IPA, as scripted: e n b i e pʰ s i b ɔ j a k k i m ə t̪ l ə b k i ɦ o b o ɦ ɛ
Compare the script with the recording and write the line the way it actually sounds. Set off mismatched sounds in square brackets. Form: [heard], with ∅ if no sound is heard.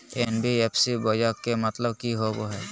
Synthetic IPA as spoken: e n b i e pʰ s i b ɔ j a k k [e] m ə t̪ l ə b k i ɦ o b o ɦ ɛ